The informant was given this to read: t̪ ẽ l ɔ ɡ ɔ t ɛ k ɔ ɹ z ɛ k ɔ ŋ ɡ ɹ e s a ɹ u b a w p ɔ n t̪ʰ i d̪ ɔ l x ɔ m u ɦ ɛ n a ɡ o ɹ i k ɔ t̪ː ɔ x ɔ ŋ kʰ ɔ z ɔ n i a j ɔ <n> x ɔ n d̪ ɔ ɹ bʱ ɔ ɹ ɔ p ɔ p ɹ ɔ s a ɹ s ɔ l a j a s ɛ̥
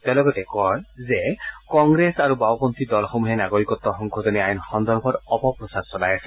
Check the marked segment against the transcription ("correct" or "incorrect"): correct